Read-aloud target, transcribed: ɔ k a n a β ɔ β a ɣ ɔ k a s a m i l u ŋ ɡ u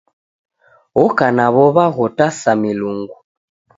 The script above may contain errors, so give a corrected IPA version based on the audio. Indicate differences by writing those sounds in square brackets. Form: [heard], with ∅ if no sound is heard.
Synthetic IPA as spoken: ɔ k a n a β ɔ β a ɣ ɔ [t] a s a m i l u ŋ ɡ u